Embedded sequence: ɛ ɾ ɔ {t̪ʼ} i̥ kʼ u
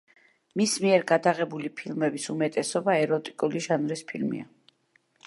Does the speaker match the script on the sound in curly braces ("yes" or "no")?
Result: yes